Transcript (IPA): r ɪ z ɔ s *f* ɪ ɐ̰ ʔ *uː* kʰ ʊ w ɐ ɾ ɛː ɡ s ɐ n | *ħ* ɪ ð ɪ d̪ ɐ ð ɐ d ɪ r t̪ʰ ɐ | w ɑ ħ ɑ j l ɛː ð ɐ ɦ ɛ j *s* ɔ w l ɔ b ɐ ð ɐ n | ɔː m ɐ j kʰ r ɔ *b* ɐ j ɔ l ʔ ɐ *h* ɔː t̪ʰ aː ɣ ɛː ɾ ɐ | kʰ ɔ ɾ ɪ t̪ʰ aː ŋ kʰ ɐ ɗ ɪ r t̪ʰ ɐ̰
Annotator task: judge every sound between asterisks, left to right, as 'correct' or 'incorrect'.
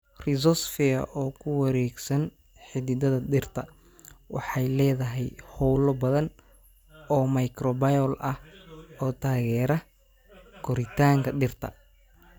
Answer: correct, incorrect: ɔː, correct, incorrect: h, correct, correct

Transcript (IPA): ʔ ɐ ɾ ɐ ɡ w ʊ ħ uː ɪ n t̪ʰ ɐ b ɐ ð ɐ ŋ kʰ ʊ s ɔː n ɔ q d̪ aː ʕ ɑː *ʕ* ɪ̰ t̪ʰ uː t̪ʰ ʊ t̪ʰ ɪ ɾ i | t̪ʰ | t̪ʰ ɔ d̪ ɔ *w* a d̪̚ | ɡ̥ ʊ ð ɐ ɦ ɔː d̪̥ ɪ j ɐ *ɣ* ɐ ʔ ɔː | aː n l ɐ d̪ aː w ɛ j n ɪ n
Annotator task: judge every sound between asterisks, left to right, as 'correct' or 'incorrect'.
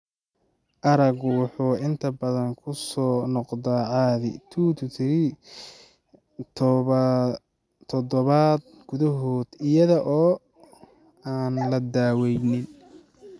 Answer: incorrect: ð, incorrect: β, incorrect: ð

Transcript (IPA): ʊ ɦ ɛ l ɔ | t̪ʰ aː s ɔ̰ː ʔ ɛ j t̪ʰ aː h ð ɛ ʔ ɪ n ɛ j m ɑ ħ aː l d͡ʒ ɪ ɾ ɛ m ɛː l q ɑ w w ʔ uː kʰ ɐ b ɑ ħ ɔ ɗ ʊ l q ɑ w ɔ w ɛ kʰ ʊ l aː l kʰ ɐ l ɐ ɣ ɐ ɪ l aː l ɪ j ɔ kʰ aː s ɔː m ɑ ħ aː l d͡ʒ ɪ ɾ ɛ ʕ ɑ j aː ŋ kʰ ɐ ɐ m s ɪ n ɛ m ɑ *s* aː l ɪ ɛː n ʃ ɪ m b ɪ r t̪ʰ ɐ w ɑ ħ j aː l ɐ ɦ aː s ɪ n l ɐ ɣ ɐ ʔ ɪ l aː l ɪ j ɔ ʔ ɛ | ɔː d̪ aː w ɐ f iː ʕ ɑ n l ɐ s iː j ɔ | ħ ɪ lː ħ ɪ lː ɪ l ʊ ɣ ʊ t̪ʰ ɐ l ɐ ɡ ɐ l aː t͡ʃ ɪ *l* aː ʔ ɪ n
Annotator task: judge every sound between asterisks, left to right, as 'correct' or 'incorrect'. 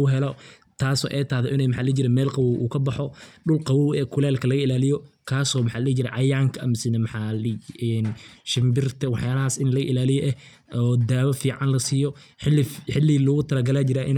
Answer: incorrect: ħ, incorrect: ɾ

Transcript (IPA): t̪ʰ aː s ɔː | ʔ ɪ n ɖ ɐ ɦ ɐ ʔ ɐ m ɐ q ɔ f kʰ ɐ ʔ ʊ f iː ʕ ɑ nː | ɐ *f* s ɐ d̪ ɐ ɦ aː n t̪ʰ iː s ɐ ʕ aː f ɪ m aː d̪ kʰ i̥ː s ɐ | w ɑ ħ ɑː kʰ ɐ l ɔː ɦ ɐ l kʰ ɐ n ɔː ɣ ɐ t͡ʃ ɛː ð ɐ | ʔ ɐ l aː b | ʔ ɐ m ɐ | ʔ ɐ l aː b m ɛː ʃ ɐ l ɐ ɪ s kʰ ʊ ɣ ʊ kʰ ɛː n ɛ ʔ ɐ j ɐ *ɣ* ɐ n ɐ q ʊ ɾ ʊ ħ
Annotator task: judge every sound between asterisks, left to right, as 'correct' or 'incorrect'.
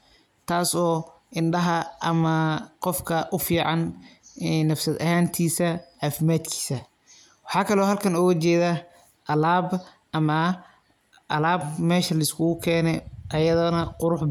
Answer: correct, incorrect: ð

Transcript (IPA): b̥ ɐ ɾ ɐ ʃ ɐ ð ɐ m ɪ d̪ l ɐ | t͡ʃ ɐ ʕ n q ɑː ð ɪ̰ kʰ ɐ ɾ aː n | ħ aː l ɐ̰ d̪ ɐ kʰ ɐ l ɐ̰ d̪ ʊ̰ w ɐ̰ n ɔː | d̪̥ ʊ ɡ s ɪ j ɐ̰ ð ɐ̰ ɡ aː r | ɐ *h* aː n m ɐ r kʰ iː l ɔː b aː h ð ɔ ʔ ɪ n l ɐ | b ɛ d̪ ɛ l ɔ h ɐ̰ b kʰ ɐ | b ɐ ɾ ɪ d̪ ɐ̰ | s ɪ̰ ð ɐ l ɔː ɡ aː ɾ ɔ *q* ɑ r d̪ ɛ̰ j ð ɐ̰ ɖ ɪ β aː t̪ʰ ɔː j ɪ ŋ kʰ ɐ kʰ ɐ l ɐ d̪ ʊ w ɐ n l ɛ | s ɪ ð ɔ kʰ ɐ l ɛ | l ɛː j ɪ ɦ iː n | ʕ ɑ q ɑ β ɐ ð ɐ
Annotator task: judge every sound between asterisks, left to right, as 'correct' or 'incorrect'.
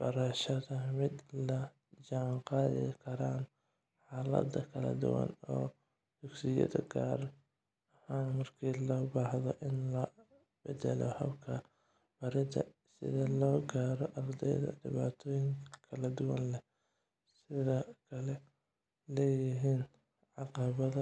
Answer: correct, incorrect: ʔ

